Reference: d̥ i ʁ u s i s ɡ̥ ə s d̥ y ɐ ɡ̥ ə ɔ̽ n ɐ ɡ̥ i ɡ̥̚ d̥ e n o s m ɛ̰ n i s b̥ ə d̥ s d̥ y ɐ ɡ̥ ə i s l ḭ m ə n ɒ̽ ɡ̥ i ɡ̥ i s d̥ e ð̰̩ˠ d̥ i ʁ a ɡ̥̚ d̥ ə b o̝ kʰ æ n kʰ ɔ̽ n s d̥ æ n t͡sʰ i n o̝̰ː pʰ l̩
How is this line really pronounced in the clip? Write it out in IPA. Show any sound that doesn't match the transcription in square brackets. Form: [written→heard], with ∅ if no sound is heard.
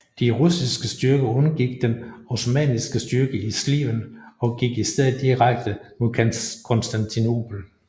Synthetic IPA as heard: d̥ i ʁ u s i s ɡ̥ ə s d̥ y ɐ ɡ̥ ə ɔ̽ n ɐ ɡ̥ i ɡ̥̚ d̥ e n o s m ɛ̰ n i s [b̥→ɡ̥] ə [d̥→∅] s d̥ y ɐ ɡ̥ ə i s l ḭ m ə n ɒ̽ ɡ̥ i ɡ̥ i s d̥ e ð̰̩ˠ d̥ i ʁ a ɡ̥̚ d̥ ə [b→m] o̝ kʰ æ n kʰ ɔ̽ n s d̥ æ n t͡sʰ i n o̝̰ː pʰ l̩